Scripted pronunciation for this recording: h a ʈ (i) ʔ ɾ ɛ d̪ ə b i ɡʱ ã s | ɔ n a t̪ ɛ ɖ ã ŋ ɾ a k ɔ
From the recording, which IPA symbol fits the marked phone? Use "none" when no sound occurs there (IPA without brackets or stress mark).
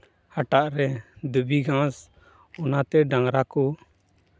a